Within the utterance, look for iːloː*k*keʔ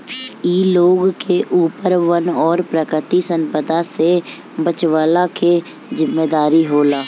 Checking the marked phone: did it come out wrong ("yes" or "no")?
yes